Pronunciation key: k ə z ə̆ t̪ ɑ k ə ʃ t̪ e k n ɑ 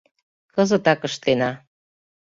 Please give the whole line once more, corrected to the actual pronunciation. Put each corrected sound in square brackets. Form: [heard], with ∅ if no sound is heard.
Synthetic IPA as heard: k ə z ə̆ t̪ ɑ k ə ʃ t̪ e [∅] n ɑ